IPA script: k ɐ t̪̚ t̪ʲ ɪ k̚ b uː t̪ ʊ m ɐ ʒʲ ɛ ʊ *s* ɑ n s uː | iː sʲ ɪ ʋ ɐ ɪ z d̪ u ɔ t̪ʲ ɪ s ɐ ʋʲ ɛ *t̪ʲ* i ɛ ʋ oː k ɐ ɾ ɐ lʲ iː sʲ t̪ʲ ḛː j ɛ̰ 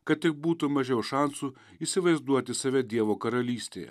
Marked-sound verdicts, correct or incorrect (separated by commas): incorrect, incorrect